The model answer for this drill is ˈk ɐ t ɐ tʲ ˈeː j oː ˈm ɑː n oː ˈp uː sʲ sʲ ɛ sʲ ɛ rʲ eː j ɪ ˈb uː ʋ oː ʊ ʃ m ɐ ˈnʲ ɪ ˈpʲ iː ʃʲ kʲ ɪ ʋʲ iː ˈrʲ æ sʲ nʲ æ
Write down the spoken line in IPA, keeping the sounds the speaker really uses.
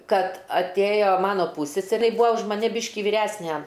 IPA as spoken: ˈk ɐ t ɐ tʲ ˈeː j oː ˈm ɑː n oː ˈp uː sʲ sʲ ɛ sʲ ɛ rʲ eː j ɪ ˈb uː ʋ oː ʊ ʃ m ɐ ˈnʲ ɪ ˈbʲ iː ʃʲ kʲ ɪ ʋʲ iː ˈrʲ æ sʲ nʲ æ